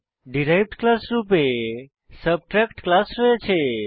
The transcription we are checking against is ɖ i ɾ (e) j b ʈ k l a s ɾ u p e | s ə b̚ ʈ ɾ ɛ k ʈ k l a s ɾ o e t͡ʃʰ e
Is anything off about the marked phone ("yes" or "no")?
yes